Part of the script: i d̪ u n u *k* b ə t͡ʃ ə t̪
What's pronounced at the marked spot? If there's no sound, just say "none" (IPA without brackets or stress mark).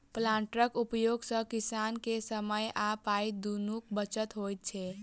k